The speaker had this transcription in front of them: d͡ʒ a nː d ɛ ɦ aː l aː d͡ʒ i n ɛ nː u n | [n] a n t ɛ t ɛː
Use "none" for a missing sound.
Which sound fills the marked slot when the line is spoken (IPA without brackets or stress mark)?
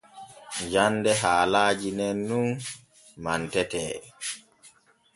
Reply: m